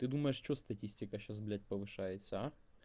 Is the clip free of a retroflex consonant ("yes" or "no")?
no